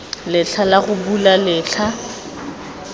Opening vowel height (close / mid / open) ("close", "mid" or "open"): close